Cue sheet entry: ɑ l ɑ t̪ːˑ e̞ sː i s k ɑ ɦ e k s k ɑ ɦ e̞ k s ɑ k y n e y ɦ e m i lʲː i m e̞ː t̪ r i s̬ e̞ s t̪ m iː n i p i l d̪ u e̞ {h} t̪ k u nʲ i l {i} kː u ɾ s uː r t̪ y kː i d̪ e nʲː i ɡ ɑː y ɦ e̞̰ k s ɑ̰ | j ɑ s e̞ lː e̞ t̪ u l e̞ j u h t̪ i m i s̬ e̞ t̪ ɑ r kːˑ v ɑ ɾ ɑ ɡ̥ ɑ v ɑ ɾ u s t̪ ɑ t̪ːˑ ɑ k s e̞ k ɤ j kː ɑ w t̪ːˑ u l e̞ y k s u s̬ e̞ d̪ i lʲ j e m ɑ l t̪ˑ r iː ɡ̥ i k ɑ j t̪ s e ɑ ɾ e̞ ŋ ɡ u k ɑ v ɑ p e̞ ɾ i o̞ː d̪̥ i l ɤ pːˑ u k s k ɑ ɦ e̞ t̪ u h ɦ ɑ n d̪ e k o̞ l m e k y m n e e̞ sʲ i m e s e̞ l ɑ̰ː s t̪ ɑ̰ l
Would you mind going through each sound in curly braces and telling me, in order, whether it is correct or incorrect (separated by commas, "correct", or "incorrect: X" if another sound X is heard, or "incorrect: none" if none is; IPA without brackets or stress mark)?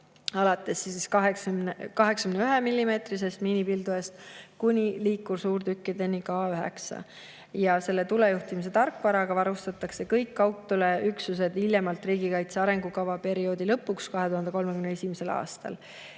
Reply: incorrect: s, incorrect: iː